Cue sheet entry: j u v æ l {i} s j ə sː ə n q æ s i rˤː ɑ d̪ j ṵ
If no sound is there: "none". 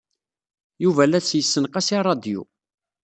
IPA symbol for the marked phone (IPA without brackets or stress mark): æ